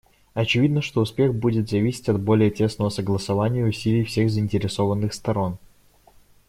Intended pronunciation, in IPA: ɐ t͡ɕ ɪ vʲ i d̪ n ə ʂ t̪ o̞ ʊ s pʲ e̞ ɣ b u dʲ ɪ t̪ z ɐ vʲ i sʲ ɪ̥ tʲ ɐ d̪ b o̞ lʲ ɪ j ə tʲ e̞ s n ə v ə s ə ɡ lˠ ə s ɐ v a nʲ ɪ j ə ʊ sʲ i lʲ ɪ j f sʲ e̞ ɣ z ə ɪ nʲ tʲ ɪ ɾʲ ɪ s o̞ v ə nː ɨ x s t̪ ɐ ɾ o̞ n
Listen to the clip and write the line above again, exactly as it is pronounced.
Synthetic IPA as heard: ɐ t͡ɕ ɪ vʲ i d̪ n ə ʂ t̪ o̞ ʊ s pʲ e̞ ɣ b u dʲ ɪ t̪ z ɐ vʲ i sʲ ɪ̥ tʲ ɐ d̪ b o̞ lʲ ɪ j ə tʲ e̞ s n ə v ə s ə ɡ lˠ ə s ɐ v a nʲ ɪ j ə ʊ sʲ i lʲ ɪ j f sʲ e̞ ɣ z ə ɪ nʲ tʲ ɪ ɾʲ ɪ s o̞ v ə nː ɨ x s t̪ ɐ ɾ o̞ n

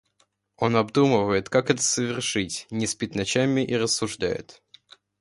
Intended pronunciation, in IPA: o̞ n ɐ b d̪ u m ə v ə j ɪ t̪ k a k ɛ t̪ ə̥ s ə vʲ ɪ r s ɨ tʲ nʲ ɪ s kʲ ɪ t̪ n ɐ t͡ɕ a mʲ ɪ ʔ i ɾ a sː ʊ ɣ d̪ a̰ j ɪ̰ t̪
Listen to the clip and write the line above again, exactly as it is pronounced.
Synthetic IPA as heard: o̞ n ɐ b d̪ u m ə v ə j ɪ t̪ k a k ɛ t̪ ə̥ s ə vʲ ɪ r ʂ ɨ tʲ nʲ ɪ s pʲ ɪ t̪ n ɐ t͡ɕ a mʲ ɪ ʔ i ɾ ə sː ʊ ʐ d̪ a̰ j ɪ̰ t̪

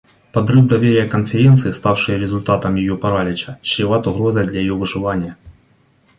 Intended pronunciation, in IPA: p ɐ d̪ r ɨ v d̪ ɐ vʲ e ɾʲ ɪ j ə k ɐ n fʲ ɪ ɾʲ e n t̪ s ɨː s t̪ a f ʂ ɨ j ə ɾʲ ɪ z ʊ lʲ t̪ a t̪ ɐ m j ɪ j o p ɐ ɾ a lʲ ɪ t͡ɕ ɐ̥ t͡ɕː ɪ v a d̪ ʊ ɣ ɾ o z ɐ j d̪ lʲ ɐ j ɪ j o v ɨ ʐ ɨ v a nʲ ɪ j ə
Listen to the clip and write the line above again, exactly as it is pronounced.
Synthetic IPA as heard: p ɐ d̪ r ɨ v d̪ ɐ vʲ e ɾʲ ɪ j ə k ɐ n fʲ ɪ ɾʲ e n t̪ s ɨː s t̪ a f ʂ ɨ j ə ɾʲ ɪ z ʊ lʲ t̪ a t̪ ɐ m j ɪ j o p ɐ ɾ a lʲ ɪ t͡ɕ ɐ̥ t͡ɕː ɪ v a t̪ ʊ ɣ ɾ o z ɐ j d̪ lʲ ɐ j ɪ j o v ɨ ʐ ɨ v a nʲ ɪ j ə

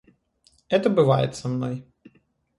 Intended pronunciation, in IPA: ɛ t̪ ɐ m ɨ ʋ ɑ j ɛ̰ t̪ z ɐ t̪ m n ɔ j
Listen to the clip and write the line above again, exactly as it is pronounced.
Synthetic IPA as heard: ɛ t̪ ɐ b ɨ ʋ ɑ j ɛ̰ t̪ s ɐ m n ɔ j

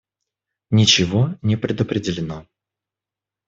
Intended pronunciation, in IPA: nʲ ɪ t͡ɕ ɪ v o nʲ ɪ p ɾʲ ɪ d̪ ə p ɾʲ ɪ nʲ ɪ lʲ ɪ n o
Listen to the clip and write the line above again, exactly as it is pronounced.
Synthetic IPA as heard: nʲ ɪ t͡ɕ ɪ v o nʲ ɪ p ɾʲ ɪ d̪ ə p ɾʲ ɪ dʲ ɪ lʲ ɪ n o

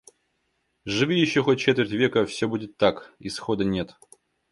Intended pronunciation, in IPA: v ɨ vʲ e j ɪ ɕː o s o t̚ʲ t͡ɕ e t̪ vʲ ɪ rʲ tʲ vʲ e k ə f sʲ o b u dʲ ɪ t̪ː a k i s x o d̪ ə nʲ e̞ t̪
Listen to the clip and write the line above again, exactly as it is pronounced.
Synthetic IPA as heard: ʐ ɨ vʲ i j ɪ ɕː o x o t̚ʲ t͡ɕ e t̪ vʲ ɪ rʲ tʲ vʲ e k ə f sʲ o b u dʲ ɪ t̪ː a k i s x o d̪ ə nʲ e̞ t̪

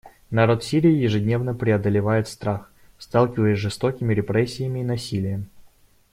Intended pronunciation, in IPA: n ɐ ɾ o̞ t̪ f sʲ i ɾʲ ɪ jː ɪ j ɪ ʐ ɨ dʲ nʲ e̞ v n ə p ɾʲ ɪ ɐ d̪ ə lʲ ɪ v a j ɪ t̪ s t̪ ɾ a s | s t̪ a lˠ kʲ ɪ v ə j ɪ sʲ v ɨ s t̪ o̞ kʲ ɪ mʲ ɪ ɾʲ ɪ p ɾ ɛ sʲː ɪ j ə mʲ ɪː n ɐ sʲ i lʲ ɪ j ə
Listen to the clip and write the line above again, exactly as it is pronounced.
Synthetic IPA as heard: n ɐ ɾ o̞ t̪ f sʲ i ɾʲ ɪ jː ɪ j ɪ ʐ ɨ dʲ nʲ e̞ v n ə p ɾʲ ɪ ɐ d̪ ə lʲ ɪ v a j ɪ t̪ s t̪ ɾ a x | s t̪ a lˠ kʲ ɪ v ə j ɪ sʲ ʐ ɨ s t̪ o̞ kʲ ɪ mʲ ɪ ɾʲ ɪ p ɾ ɛ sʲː ɪ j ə mʲ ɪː n ɐ sʲ i lʲ ɪ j ə

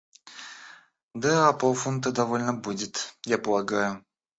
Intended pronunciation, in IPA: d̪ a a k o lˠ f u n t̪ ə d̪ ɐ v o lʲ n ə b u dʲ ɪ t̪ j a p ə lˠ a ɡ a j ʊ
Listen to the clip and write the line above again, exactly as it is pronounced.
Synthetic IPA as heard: d̪ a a p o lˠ f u n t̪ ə d̪ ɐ v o lʲ n ə b u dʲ ɪ t̪ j a p ə lˠ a ɡ a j ʊ

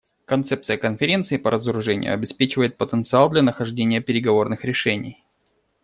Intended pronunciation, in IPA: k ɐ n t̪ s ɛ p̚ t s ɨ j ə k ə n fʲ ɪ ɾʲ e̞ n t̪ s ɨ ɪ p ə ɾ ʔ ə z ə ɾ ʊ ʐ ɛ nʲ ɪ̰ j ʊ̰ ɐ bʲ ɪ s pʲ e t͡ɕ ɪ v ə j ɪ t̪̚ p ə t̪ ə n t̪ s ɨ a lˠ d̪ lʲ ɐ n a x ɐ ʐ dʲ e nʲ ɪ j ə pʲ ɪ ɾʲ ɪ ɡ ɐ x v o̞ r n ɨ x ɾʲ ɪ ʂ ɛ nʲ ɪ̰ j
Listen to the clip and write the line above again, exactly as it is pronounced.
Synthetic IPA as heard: k ɐ n t̪ s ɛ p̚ t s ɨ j ə k ə n fʲ ɪ ɾʲ e̞ n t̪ s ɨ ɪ p ə ɾ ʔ ə z ə ɾ ʊ ʐ ɛ nʲ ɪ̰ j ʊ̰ ɐ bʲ ɪ s pʲ e t͡ɕ ɪ v ə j ɪ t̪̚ p ə t̪ ə n t̪ s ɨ a lˠ d̪ lʲ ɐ n ə x ɐ ʐ dʲ e nʲ ɪ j ə pʲ ɪ ɾʲ ɪ ɡ ɐ v o̞ r n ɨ x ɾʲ ɪ ʂ ɛ nʲ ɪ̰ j

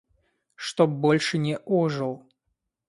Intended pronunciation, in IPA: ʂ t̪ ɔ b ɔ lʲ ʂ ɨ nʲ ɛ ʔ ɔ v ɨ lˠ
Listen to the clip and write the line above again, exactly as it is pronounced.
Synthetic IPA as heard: ʂ t̪ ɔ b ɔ lʲ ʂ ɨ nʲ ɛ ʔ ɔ ʐ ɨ lˠ

